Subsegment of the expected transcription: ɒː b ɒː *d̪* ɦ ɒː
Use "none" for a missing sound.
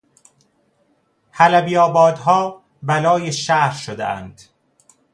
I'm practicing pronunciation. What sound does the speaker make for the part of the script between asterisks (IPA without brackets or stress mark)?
d̪